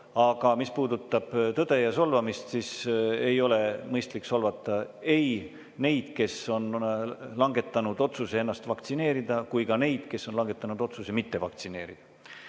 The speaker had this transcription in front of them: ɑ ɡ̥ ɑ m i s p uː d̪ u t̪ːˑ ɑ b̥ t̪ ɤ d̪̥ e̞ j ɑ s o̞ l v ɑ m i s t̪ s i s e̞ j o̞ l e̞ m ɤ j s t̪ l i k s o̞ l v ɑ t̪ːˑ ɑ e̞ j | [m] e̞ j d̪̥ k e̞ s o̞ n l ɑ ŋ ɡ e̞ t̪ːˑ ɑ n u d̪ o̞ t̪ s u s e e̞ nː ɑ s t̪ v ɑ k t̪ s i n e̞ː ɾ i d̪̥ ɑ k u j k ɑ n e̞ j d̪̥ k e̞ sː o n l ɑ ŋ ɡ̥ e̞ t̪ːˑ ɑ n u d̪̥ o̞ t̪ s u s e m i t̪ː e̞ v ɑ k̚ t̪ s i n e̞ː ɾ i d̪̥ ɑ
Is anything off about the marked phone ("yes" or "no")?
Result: yes